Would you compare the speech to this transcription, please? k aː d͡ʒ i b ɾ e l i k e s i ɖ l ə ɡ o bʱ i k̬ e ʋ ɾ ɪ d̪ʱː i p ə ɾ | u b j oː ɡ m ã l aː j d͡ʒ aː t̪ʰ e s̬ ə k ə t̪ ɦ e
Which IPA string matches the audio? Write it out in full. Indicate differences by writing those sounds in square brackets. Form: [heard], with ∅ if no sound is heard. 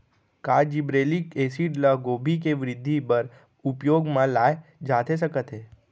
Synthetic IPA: k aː d͡ʒ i b ɾ e l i k e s i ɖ l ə ɡ o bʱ i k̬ e ʋ ɾ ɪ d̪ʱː i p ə ɾ | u [p] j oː ɡ m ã l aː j d͡ʒ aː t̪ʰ e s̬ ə k ə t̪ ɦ e

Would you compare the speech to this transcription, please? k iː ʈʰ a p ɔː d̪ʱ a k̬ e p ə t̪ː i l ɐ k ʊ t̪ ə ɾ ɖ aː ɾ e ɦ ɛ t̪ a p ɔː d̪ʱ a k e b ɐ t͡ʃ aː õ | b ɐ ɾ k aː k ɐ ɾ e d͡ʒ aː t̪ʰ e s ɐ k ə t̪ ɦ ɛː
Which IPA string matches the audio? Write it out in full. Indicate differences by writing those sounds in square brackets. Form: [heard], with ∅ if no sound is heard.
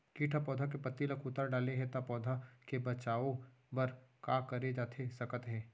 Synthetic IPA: k iː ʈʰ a p ɔː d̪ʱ a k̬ e p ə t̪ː i l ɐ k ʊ t̪ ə ɾ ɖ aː [l] e ɦ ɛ t̪ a p ɔː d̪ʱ a k e b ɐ t͡ʃ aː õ | b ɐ ɾ k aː k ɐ ɾ e d͡ʒ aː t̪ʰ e s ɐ k ə t̪ ɦ ɛː

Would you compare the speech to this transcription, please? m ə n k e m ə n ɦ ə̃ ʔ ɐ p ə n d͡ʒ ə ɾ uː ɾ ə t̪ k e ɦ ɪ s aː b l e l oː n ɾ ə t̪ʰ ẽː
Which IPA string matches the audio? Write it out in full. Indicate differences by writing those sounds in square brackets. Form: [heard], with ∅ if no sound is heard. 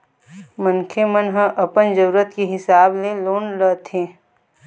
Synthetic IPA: m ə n [kʰ] e m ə n ɦ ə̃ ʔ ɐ p ə n d͡ʒ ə ɾ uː ɾ ə t̪ k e ɦ ɪ s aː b l e l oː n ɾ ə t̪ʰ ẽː

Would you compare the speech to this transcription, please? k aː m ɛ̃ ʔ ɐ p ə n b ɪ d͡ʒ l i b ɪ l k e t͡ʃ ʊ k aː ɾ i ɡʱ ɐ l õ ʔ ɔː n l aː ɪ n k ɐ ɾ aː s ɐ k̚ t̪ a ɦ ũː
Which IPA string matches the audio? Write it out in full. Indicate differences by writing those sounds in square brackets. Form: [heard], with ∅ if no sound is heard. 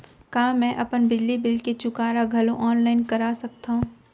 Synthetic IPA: k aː m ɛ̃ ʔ ɐ p ə n b ɪ d͡ʒ l i b ɪ l k e t͡ʃ ʊ k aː ɾ [a] ɡʱ ɐ l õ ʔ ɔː n l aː ɪ n k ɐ ɾ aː s ɐ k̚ t̪ a ɦ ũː

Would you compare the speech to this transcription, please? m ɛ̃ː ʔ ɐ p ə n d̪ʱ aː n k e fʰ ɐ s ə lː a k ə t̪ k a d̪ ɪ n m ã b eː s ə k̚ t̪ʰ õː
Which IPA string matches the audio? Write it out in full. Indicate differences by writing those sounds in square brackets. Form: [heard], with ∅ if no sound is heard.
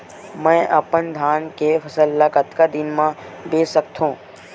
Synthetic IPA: m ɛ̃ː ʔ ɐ p ə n d̪ʱ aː n k e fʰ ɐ s ə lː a k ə t̪ k a d̪ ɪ n m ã b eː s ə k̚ t̪ʰ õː

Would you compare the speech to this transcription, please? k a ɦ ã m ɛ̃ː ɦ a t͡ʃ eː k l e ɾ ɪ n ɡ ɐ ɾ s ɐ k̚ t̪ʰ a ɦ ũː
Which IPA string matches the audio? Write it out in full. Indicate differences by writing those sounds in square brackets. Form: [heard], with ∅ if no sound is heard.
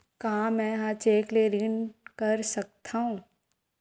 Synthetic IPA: k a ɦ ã m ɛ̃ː ɦ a t͡ʃ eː k l e ɾ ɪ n [k] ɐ ɾ s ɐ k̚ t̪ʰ a ɦ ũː

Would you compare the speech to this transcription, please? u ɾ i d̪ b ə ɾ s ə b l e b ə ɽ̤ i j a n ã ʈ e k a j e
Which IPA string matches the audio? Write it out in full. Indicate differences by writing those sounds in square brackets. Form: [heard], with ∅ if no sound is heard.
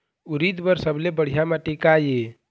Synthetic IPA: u ɾ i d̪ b ə ɾ s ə b l e b ə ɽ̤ i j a [m] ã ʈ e k a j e

